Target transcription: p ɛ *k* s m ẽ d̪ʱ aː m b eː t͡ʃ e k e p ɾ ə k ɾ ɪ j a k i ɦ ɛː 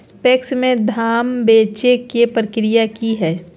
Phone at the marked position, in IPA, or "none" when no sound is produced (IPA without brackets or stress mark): k